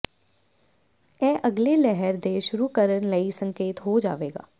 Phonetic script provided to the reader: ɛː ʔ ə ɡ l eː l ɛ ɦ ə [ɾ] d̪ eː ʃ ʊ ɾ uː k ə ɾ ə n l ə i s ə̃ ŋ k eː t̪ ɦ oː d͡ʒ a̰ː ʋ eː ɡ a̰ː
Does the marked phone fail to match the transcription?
no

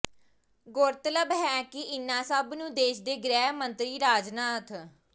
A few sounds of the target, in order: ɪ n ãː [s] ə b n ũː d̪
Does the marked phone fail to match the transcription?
no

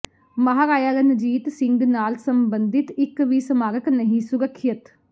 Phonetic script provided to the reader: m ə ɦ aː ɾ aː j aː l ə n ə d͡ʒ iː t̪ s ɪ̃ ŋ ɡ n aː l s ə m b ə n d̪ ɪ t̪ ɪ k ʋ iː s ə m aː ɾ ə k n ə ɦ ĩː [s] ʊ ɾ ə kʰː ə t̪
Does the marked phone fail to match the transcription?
no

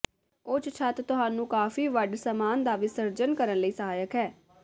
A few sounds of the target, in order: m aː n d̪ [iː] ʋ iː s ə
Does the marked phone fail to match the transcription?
yes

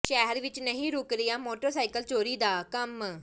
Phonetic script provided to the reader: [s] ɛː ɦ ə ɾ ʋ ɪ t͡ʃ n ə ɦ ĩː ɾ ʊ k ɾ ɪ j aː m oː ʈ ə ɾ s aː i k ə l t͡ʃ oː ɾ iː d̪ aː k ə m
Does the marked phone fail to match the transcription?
yes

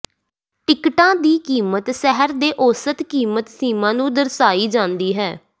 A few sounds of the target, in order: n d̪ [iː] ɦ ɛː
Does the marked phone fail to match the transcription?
no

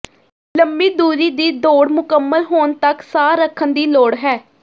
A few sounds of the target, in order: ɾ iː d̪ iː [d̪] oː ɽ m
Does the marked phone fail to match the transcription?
no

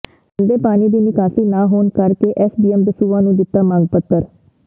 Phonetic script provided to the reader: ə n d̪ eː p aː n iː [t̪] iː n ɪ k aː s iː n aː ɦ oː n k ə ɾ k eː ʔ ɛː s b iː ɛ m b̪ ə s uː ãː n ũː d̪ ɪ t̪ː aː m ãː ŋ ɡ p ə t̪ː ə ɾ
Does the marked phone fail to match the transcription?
yes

